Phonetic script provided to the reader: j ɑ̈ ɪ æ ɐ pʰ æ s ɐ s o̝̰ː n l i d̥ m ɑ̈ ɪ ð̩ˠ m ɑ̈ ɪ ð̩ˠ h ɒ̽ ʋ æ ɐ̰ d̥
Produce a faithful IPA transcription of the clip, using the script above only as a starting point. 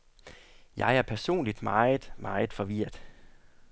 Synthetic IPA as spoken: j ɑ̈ ɪ æ ɐ pʰ æ ɐ s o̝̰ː n l i d̥ m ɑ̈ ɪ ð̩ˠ m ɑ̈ ɪ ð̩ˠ f ɒ̽ ʋ i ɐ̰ d̥